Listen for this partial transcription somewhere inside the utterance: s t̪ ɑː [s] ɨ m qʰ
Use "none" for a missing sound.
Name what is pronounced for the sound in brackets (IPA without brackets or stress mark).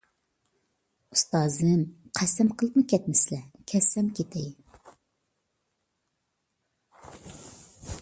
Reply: z